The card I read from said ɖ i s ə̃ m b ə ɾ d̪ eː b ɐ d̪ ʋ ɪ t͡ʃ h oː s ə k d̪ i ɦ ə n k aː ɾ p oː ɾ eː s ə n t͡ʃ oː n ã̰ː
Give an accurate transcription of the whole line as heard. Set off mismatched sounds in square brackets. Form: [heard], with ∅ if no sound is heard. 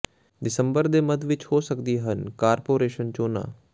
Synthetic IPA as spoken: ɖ [ɪ] s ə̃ m b ə ɾ d̪ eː [m] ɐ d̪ ʋ ɪ t͡ʃ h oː s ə k d̪ i ɦ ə n k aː ɾ p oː ɾ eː [ʃ] ə n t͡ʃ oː n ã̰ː